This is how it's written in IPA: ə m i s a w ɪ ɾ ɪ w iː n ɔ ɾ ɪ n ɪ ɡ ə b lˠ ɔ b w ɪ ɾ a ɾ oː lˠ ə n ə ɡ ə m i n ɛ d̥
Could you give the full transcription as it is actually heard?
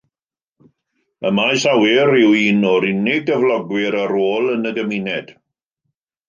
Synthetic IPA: ə m a s a w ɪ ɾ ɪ w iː n ɔ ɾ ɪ n ɪ ɡ ə v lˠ ɔ ɡ w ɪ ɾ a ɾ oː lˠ ə n ə ɡ ə m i n ɛ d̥

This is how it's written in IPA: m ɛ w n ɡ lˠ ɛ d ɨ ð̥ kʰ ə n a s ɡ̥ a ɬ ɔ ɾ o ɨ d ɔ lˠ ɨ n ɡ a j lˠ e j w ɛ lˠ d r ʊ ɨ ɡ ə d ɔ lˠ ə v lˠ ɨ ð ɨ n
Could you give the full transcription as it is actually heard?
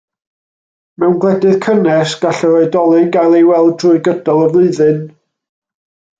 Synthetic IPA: m ɛ w n ɡ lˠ ɛ d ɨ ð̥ kʰ ə n ɛ s ɡ̥ a ɬ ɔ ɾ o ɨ d ɔ lˠ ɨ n ɡ a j lˠ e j w ɛ lˠ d r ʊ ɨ ɡ ə d ɔ lˠ ə v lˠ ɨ ð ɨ n

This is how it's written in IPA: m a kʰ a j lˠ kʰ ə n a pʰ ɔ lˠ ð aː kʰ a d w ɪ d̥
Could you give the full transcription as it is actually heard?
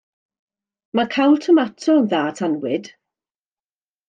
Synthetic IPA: m a kʰ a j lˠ tʰ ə m a tʰ ɔ ð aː tʰ a n w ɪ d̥

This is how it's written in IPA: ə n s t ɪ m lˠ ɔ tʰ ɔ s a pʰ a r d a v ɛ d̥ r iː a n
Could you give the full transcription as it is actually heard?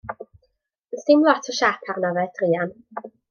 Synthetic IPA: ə n s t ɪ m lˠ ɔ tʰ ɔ ʃ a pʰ a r n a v ɛ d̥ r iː a n

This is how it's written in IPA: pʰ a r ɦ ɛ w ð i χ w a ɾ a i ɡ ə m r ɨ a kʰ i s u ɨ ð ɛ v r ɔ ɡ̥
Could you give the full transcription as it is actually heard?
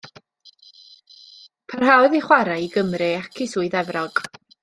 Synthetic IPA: pʰ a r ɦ a w ð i χ w a ɾ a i ɡ ə m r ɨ a kʰ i s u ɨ ð ɛ v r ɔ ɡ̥

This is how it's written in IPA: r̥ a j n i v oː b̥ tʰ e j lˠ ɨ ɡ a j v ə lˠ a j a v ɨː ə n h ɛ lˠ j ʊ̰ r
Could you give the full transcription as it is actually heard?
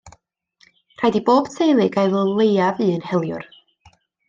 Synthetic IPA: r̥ a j d i b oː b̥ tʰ e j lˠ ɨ ɡ a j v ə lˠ e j a v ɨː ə n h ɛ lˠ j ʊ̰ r

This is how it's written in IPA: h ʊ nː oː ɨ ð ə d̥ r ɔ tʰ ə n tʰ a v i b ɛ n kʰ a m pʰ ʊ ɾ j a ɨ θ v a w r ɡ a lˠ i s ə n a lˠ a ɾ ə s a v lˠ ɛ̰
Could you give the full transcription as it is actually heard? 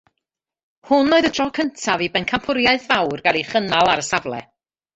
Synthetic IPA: h ʊ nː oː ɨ ð ə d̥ r ɔ kʰ ə n tʰ a v i b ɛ n kʰ a m pʰ ʊ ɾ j a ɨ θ v a w r ɡ a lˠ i χ ə n a lˠ a ɾ ə s a v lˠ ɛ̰

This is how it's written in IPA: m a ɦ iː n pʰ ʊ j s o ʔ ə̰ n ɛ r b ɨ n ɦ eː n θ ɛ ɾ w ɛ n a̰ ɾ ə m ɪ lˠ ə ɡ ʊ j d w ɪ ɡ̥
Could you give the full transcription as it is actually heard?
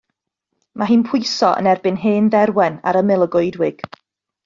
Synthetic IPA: m a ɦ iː n pʰ ʊ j s ɔ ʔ ə̰ n ɛ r b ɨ n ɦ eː n ð ɛ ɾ w ɛ n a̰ ɾ ə m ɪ lˠ ə ɡ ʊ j d w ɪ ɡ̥

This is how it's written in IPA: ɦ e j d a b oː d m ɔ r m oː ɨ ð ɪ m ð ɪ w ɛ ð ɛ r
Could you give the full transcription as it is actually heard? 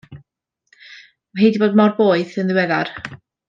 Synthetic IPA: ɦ e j d i b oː d m ɔ r b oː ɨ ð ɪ n ð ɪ w ɛ ð a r

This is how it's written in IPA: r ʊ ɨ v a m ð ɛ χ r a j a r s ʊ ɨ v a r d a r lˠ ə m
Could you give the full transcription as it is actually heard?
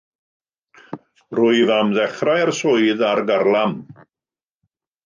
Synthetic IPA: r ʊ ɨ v a m ð ɛ χ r a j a r s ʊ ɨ ð a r ɡ a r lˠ a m

